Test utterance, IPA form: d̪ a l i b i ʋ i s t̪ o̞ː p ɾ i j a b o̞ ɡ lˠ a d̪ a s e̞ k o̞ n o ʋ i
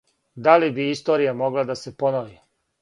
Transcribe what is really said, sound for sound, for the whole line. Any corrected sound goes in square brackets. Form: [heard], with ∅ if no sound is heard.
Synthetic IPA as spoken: d̪ a l i b i [∅] i s t̪ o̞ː [∅] ɾ i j a [m] o̞ ɡ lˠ a d̪ a s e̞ [p] o̞ n o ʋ i